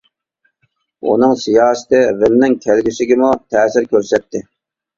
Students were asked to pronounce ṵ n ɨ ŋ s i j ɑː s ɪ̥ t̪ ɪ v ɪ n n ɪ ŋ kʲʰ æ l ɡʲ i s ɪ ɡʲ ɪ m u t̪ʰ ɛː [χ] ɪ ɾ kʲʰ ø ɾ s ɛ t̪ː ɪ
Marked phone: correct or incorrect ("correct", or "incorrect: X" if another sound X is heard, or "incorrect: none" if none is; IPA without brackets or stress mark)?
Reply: incorrect: s